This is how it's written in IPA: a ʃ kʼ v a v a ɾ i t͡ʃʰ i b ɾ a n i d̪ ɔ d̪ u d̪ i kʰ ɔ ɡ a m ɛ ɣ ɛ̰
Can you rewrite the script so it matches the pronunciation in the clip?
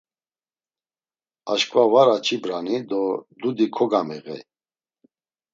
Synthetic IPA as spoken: a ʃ kʼ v a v a ɾ a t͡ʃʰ i b ɾ a n i d̪ ɔ d̪ u d̪ i kʰ ɔ ɡ a m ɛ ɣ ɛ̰